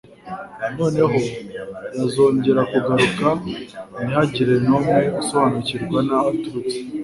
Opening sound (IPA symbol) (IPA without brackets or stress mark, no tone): n